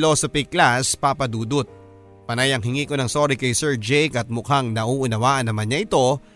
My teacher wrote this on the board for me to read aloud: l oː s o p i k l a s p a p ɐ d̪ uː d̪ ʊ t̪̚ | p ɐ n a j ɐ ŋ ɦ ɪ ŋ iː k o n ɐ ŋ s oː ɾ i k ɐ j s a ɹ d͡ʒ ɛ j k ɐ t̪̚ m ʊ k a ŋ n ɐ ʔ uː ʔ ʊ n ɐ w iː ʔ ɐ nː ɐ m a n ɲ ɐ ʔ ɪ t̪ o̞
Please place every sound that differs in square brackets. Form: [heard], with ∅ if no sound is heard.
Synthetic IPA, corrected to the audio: l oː s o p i k l a s p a p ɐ d̪ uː d̪ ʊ t̪̚ | p ɐ n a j ɐ ŋ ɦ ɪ ŋ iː k o n ɐ ŋ s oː ɾ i k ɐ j s [ɛ] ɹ d͡ʒ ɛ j k ɐ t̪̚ m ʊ k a ŋ n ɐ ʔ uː ʔ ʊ n ɐ w [aː] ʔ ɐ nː ɐ m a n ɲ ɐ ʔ ɪ t̪ o̞